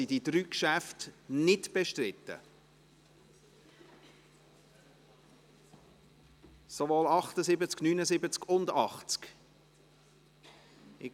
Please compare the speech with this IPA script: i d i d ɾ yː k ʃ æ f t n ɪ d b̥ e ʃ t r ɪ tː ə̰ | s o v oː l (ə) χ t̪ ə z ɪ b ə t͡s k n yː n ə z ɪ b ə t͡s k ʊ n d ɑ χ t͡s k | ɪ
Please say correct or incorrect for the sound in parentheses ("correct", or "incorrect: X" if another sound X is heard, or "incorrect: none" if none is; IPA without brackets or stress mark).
incorrect: ɑ